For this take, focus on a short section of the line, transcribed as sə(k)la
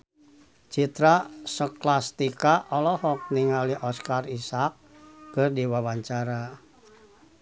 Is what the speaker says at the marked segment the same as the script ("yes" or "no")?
yes